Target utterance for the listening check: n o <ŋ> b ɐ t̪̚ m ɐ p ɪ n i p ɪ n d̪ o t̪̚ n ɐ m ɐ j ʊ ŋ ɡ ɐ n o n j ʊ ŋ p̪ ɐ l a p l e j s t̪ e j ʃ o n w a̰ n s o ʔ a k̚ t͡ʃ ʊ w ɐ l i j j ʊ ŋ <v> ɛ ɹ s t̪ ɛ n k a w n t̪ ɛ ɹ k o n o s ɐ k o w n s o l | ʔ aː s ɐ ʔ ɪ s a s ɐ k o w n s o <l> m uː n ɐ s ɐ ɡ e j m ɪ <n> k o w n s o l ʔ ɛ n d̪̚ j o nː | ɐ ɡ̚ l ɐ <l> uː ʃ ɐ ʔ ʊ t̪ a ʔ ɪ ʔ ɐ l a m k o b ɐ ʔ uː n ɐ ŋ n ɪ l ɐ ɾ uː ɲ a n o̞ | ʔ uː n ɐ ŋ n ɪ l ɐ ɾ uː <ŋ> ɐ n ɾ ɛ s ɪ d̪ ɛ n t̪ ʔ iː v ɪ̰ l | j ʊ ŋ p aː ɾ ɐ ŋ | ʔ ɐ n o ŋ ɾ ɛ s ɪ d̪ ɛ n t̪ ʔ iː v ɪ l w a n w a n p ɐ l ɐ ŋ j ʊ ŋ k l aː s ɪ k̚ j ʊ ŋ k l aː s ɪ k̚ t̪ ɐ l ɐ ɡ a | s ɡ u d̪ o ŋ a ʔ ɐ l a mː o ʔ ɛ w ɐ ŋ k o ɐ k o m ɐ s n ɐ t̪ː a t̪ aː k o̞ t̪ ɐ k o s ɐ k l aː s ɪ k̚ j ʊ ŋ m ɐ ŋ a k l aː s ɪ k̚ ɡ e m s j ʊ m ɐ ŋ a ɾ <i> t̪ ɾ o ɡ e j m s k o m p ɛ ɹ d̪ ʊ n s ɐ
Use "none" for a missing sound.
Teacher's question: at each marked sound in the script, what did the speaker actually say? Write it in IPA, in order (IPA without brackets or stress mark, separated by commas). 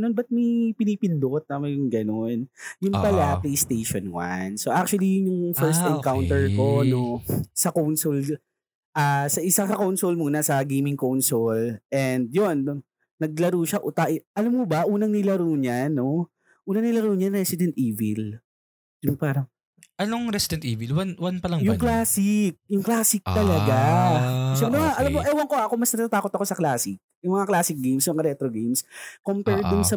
n, f, l, ŋ, ɾ, ɲ, ɛ